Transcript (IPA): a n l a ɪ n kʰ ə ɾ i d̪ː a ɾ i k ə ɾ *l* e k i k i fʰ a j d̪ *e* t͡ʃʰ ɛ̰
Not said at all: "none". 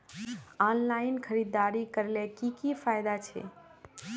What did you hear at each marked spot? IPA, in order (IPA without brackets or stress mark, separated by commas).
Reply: l, a